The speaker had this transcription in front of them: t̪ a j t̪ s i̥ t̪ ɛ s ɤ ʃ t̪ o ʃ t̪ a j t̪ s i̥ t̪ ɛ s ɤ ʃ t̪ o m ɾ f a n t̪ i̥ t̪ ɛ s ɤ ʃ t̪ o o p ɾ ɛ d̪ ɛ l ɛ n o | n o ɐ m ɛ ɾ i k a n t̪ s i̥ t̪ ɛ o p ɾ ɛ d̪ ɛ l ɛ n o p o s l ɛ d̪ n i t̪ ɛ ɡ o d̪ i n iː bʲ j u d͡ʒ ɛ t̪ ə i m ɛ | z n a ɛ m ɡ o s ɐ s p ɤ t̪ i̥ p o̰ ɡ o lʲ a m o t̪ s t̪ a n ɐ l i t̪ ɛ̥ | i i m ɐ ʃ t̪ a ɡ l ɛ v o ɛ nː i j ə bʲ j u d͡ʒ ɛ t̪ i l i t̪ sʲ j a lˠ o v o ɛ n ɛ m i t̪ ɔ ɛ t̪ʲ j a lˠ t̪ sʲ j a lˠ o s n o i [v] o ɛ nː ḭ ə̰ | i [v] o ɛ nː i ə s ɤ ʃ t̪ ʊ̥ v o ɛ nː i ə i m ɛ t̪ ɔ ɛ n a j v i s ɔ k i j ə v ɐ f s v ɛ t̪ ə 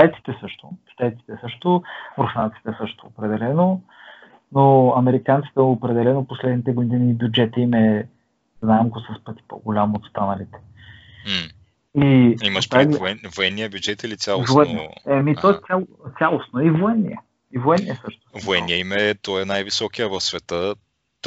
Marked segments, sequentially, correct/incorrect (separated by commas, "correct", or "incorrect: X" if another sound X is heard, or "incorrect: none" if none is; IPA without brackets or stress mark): correct, correct